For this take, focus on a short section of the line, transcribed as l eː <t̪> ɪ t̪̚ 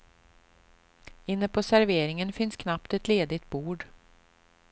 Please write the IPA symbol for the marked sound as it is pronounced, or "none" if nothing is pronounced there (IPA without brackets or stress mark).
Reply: d̪